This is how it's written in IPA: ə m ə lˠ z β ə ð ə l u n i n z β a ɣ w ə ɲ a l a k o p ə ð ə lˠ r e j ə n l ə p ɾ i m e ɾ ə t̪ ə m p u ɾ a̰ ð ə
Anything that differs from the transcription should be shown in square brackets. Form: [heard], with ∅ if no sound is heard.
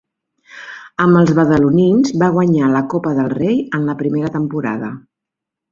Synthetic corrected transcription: ə m ə lˠ z β ə ð ə l u n i n z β a ɣ w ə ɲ a l [ə] k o p ə ð ə lˠ r e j ə n l ə p ɾ i m e ɾ ə t̪ ə m p u ɾ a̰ ð ə